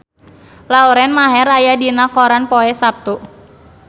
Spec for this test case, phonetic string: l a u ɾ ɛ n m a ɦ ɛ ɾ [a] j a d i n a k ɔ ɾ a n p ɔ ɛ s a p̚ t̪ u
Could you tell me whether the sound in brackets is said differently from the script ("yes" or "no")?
no